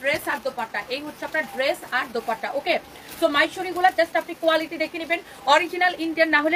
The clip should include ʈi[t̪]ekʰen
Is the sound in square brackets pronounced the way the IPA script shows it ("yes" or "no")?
no